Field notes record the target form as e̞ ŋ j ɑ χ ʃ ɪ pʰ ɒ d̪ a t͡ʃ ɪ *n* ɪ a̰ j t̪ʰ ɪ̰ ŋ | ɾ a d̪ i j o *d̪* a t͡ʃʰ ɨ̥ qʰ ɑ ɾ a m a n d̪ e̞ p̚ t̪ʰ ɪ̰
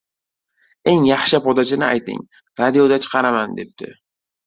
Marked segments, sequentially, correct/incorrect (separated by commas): correct, correct